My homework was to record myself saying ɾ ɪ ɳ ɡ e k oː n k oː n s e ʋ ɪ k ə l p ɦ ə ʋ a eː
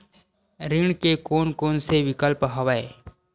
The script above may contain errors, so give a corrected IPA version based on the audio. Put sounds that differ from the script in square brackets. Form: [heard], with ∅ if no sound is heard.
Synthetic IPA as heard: ɾ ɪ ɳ [k] e k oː n k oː n s e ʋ ɪ k ə l p ɦ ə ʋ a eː